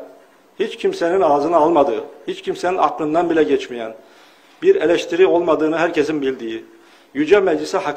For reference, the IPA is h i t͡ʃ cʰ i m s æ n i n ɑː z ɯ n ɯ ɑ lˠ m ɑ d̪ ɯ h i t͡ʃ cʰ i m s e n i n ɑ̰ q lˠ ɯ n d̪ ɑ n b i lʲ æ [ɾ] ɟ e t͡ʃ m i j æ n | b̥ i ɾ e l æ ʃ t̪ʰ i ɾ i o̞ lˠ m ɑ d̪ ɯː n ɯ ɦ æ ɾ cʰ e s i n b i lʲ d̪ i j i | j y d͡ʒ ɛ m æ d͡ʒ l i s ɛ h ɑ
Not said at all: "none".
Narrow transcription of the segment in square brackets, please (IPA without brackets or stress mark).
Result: none